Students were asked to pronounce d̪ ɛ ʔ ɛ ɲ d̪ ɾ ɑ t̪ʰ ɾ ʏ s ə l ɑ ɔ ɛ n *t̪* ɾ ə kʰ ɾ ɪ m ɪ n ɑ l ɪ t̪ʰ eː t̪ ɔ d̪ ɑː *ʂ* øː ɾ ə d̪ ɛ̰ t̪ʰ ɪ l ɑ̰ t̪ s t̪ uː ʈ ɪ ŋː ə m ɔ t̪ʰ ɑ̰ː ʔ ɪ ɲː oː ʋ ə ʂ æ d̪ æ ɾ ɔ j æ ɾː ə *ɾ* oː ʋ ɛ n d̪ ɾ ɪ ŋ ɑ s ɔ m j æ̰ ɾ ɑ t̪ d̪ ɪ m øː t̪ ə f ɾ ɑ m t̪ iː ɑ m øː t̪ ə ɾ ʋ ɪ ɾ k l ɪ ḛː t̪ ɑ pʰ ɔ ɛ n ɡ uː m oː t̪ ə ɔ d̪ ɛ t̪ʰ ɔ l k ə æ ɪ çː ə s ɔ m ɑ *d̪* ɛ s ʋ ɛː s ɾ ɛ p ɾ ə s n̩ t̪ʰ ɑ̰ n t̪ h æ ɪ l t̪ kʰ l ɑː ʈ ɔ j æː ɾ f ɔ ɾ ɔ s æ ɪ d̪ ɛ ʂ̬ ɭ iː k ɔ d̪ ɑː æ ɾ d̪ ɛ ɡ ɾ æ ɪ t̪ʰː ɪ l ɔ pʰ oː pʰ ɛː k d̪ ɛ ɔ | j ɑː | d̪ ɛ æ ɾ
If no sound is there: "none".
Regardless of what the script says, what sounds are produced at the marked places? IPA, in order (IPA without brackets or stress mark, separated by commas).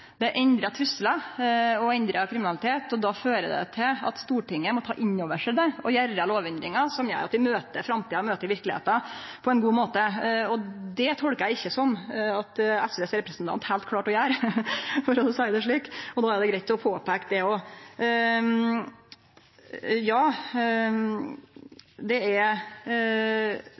d̪, f, l, t̪